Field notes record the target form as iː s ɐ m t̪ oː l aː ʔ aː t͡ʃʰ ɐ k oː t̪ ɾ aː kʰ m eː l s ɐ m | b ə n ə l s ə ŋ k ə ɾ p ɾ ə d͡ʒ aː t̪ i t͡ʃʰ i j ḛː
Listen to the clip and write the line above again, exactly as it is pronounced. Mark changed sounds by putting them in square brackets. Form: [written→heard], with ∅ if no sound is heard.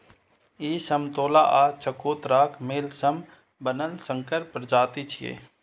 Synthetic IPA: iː s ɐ m t̪ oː l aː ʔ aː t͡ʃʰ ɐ k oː t̪ ɾ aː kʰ m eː l s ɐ m | b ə n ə l s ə ŋ k ə ɾ p ɾ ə d͡ʒ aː t̪ i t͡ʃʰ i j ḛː